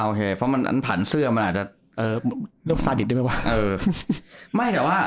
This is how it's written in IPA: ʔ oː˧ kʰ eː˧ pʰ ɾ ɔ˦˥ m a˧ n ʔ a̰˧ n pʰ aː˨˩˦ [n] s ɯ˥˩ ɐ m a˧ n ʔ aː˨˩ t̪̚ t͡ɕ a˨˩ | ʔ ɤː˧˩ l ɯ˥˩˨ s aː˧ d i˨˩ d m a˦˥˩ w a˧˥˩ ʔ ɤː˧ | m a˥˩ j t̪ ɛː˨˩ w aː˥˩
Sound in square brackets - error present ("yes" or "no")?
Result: no